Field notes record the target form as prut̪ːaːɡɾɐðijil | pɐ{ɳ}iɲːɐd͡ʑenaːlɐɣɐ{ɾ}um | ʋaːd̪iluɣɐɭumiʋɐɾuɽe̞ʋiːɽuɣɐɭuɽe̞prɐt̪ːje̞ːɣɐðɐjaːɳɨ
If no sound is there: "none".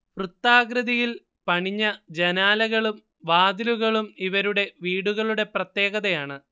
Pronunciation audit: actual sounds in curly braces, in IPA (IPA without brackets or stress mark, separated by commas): ɳ, ɭ